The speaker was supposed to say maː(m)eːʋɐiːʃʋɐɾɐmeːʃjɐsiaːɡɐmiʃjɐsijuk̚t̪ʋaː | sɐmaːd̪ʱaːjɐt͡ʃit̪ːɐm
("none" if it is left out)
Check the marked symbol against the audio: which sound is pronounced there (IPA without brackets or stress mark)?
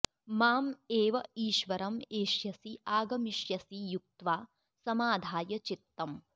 m